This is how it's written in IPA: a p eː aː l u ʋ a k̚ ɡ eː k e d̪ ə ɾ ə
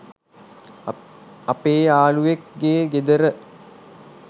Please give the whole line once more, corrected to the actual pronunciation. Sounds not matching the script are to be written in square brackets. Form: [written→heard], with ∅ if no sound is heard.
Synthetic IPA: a p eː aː l u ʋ [a→e] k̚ ɡ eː [k→ɡ] e d̪ ə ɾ ə